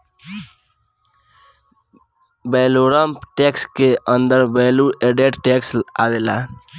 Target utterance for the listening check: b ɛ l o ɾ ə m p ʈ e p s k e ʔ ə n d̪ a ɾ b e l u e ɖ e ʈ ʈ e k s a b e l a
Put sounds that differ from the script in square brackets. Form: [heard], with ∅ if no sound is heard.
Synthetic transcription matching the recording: b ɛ l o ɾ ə m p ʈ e [k] s k e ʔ ə n d̪ [ə] ɾ b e l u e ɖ e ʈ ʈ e k s a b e l a

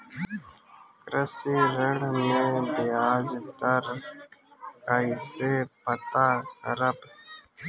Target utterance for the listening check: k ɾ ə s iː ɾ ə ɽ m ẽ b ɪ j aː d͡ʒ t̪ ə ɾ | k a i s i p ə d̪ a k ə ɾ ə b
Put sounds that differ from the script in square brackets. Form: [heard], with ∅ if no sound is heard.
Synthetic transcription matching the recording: k ɾ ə s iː ɾ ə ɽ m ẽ b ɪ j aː d͡ʒ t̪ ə ɾ | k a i s [e] p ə [t̪] a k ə ɾ ə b

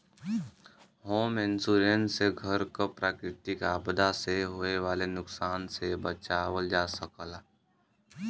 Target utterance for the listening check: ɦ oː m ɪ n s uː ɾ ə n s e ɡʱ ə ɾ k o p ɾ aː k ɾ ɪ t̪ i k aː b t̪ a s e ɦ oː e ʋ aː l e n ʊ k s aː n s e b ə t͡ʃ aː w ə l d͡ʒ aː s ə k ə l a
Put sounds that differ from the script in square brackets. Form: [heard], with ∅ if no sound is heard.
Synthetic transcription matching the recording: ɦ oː m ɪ n s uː ɾ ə n s e ɡʱ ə ɾ k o p ɾ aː k ɾ ɪ t̪ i k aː b [d̪] a s e ɦ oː e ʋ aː l e n ʊ k s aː n s e b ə t͡ʃ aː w ə l d͡ʒ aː s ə k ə l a

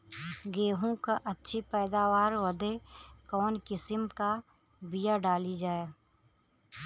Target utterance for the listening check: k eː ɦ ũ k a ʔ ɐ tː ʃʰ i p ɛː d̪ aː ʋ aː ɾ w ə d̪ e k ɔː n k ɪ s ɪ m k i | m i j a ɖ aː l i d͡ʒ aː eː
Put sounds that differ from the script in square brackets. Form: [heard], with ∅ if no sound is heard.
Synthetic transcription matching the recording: [ɡ] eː ɦ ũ k a ʔ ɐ tː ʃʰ i p ɛː d̪ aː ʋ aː ɾ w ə d̪ e k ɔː n k ɪ s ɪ m k [a] | [b] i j a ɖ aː l i d͡ʒ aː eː

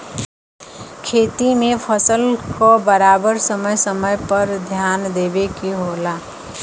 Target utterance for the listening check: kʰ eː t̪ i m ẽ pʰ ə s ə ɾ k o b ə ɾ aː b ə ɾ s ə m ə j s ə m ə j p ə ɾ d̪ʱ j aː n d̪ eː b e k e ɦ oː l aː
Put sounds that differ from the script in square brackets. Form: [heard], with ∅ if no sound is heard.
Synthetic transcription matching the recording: kʰ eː t̪ i m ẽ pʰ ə s ə [l] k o b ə ɾ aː b ə ɾ s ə m ə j s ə m ə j p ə ɾ d̪ʱ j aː n d̪ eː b e k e ɦ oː l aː

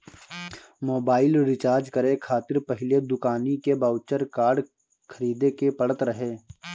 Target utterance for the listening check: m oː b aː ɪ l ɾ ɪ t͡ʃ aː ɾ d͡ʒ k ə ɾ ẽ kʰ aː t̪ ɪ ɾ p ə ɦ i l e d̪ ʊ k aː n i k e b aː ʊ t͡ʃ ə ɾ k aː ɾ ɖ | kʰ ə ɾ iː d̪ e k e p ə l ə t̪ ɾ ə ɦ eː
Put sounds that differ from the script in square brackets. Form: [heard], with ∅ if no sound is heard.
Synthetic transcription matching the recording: m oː b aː ɪ l ɾ ɪ t͡ʃ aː ɾ d͡ʒ k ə ɾ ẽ kʰ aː t̪ ɪ ɾ p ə ɦ [ɪ] l e d̪ ʊ k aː n i k e b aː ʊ t͡ʃ ə ɾ k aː ɾ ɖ | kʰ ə ɾ iː d̪ e k e p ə [ɽ] ə t̪ ɾ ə ɦ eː

